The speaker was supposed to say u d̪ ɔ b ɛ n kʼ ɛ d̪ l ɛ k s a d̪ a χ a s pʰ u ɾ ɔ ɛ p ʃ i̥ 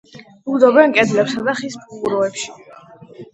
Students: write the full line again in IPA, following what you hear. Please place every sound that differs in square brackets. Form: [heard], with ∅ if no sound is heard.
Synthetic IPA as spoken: u d̪ ɔ b ɛ n kʼ ɛ d̪ l ɛ [p] s a d̪ a χ [i] s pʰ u ɾ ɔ ɛ p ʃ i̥